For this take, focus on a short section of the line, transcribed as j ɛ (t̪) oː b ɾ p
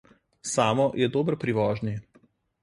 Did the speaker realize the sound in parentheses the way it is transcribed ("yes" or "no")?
no